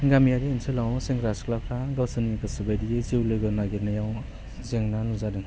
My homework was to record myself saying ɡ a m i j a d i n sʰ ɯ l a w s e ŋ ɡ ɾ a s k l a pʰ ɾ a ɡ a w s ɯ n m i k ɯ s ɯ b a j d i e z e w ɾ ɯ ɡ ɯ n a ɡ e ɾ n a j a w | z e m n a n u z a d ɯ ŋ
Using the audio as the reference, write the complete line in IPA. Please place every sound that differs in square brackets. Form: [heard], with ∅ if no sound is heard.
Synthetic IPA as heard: ɡ a m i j a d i n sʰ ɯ l a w s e ŋ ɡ ɾ a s k l a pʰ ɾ a ɡ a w s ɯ n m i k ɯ s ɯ b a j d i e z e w [l] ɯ ɡ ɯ n a ɡ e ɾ n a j a w | z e [ŋ] n a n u z a d ɯ ŋ